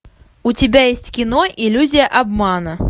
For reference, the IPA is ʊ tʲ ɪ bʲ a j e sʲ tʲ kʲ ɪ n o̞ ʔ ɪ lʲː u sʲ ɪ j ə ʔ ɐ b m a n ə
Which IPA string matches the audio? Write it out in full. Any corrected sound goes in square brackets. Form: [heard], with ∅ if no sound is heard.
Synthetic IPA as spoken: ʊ tʲ ɪ bʲ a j e sʲ tʲ kʲ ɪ n o̞ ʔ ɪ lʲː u [zʲ] ɪ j ə ʔ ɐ b m a n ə